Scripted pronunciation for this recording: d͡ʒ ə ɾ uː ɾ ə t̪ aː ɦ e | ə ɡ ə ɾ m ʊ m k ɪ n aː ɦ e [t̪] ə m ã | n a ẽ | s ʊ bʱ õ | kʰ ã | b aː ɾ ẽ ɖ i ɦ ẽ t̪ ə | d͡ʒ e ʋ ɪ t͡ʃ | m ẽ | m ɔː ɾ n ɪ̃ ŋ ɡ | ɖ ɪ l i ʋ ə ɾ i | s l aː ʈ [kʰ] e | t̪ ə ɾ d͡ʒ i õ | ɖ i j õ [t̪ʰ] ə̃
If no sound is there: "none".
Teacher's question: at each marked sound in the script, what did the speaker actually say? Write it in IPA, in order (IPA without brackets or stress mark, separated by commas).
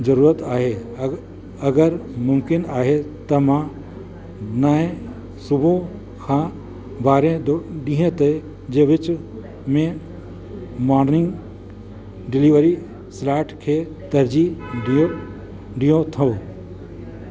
t̪, kʰ, t̪ʰ